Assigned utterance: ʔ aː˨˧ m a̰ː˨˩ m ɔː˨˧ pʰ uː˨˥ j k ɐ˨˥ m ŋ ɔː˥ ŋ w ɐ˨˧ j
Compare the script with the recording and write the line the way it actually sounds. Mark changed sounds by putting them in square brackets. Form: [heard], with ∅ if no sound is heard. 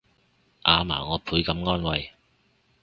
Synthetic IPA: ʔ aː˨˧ m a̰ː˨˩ [ŋ] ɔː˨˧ pʰ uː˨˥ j k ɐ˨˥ m ŋ ɔː˥ [n] w ɐ˨˧ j